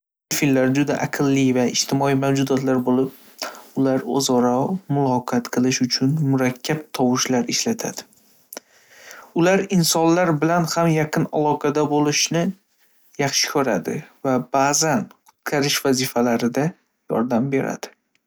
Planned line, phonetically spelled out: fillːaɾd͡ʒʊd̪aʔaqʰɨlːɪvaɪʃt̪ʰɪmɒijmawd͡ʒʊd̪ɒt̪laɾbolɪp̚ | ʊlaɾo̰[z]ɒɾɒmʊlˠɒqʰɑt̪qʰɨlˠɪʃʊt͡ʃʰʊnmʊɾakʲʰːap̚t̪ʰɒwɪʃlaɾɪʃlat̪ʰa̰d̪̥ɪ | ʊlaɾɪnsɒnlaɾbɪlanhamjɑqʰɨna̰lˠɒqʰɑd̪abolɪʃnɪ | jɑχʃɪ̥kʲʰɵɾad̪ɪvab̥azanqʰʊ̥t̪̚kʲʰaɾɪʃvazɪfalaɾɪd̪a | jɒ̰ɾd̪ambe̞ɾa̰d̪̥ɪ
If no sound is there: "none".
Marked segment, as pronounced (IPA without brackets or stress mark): z